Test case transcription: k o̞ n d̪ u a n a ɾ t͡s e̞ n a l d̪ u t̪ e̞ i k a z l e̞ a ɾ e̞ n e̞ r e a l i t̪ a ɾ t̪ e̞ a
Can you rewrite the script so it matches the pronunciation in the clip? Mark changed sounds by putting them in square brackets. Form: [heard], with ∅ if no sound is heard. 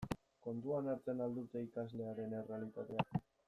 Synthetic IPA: k o̞ n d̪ u a n a ɾ t͡s e̞ n a l d̪ u t̪ e̞ i k a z l e̞ a ɾ e̞ n e̞ r e a l i t̪ a [∅] t̪ e̞ a